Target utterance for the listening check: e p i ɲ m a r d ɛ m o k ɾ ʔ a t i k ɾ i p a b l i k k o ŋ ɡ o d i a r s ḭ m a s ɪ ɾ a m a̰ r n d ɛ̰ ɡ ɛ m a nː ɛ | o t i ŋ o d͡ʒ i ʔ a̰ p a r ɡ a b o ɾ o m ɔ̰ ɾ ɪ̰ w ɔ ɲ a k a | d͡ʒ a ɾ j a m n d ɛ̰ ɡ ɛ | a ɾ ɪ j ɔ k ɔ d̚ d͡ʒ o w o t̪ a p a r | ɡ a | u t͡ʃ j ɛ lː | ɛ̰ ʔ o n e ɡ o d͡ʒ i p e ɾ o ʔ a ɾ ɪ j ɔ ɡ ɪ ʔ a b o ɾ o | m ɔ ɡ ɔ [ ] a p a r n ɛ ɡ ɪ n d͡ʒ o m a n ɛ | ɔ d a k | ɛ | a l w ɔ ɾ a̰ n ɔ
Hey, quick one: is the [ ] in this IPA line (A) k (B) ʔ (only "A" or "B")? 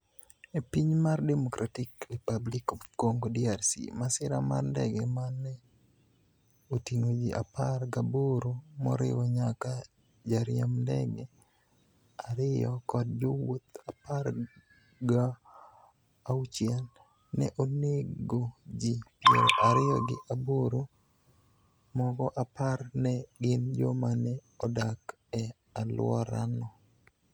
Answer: B